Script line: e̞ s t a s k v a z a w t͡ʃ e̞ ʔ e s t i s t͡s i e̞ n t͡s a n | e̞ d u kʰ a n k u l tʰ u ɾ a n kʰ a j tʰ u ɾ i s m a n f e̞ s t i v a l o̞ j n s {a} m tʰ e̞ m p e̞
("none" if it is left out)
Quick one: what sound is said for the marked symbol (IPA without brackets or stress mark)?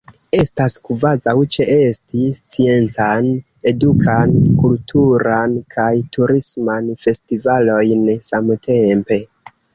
a